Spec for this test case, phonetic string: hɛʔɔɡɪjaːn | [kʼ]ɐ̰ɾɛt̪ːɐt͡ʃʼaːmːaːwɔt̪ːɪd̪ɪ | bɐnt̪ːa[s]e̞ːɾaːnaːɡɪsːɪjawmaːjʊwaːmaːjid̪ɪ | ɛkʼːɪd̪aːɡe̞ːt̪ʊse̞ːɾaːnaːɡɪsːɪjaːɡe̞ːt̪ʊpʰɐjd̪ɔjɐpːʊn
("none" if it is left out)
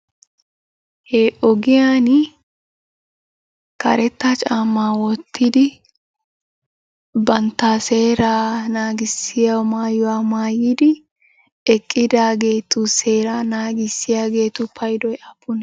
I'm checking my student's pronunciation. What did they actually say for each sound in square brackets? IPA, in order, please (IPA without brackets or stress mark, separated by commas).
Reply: k, s